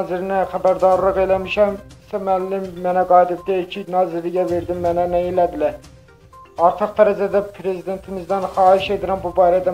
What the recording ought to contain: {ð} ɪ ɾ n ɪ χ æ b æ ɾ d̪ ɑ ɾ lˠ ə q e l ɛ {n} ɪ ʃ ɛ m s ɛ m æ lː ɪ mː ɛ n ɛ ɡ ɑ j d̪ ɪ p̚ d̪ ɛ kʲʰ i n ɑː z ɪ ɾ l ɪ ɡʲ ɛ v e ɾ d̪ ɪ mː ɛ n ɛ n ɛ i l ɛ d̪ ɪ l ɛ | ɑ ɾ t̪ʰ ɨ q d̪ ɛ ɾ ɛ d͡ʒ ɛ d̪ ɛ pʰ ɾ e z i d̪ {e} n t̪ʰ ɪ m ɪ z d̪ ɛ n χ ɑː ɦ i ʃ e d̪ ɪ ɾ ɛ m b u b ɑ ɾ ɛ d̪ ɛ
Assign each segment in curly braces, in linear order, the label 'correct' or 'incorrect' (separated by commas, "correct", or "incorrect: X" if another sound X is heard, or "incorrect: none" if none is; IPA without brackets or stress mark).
incorrect: z, incorrect: m, correct